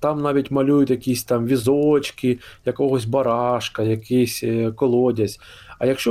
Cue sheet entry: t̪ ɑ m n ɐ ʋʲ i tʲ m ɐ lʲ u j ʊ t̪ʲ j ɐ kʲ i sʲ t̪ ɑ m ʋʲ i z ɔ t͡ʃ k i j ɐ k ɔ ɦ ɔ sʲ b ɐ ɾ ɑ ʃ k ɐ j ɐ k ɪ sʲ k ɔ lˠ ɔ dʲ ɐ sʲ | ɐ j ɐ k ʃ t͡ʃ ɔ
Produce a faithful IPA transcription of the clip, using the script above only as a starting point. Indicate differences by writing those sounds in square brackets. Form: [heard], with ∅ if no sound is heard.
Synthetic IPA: t̪ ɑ m n [ɑ] ʋʲ i tʲ m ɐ lʲ u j ʊ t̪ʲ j ɐ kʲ i sʲ t̪ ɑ m ʋʲ i z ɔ t͡ʃ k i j ɐ k ɔ ɦ ɔ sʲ b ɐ ɾ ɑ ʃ k ɐ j ɐ k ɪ sʲ k ɔ lˠ ɔ dʲ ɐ sʲ | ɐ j ɐ k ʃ t͡ʃ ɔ